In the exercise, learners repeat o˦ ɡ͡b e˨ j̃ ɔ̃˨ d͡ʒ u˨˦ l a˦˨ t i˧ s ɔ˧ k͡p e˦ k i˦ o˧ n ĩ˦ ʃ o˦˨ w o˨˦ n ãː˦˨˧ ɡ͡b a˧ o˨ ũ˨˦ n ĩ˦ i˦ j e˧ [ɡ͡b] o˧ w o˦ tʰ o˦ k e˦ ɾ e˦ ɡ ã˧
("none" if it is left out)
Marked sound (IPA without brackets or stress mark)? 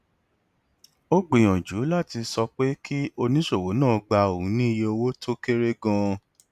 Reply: none